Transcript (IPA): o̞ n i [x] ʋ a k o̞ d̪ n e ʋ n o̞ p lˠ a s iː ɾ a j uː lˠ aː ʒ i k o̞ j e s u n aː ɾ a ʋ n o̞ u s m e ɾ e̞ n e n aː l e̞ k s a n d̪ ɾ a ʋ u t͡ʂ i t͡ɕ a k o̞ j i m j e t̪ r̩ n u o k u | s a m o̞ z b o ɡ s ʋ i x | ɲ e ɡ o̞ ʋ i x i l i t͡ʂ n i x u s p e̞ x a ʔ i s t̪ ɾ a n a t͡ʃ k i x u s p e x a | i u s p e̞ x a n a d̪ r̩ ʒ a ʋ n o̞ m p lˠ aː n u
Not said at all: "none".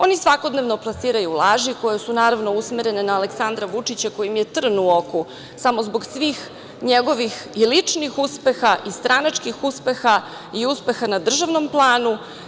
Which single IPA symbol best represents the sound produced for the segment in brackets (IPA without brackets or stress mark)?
s